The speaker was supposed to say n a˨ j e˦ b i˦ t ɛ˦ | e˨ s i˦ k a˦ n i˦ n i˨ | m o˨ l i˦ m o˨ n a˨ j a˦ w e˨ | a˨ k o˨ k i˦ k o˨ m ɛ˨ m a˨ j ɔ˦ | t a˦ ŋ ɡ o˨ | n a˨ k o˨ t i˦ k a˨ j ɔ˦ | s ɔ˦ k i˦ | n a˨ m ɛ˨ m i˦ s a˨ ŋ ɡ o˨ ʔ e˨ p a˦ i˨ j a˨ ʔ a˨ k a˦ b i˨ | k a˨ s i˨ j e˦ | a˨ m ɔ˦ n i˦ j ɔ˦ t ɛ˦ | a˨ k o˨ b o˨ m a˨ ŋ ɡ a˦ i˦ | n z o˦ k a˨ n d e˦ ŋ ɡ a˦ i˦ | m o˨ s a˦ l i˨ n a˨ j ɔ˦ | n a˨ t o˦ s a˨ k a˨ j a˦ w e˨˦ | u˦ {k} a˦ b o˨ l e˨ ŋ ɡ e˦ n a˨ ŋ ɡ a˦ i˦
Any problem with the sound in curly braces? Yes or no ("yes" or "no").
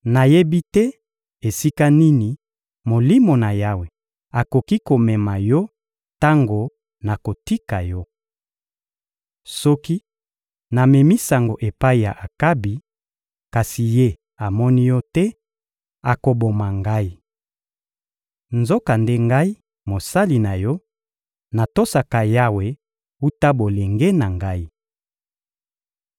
yes